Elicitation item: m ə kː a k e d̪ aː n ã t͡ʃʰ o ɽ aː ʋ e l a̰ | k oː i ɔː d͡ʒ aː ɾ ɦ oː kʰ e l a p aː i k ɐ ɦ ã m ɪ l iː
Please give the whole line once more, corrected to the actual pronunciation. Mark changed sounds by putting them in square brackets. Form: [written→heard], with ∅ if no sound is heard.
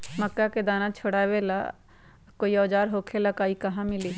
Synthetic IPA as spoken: m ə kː a k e d̪ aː n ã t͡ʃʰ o ɽ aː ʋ e l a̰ | k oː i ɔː d͡ʒ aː ɾ ɦ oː kʰ e l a [p→k] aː i k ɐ ɦ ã m ɪ l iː

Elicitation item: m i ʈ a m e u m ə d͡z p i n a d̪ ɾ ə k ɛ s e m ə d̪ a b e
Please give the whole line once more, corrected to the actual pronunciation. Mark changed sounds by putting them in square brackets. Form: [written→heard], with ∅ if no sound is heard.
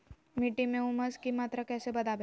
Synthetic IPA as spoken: m i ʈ [a→i] m e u m ə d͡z [p→k] i [n→m] a [d̪→t̪] ɾ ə k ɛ s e [m→b] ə d̪ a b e

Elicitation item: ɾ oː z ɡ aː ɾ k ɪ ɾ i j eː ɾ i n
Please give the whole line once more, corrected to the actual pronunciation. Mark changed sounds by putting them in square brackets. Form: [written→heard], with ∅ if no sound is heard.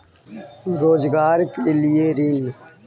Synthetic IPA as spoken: ɾ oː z ɡ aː ɾ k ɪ [ɾ→l] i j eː ɾ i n

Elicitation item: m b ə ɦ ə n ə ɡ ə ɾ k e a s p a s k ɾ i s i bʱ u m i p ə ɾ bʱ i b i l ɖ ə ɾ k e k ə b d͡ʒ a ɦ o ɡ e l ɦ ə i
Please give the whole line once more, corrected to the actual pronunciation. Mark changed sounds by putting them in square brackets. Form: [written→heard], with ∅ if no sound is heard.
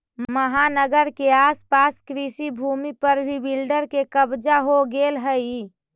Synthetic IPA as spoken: m [b→m] ə ɦ [ə→a] n ə ɡ ə ɾ k e a s p a s k ɾ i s i bʱ u m i p ə ɾ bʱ i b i l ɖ ə ɾ k e k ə b d͡ʒ a ɦ o ɡ e l ɦ ə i

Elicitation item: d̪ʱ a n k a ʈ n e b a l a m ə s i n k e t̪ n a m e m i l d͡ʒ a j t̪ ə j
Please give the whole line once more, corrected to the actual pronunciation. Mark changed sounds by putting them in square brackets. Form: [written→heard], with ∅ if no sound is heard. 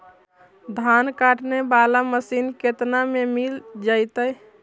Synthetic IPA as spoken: d̪ʱ a n k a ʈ n e b a l a m ə s i n k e t̪ n a m e m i l d͡ʒ a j t̪ ə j

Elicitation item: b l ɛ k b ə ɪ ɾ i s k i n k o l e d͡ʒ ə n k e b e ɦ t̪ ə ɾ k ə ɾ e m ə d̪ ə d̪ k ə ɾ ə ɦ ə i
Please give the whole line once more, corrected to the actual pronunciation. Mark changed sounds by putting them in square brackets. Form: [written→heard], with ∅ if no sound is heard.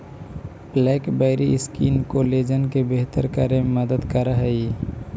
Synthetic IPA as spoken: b l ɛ k b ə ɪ ɾ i s k i n k o l e d͡ʒ ə n k e b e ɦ t̪ ə ɾ k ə ɾ e m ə d̪ ə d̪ k ə ɾ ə ɦ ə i

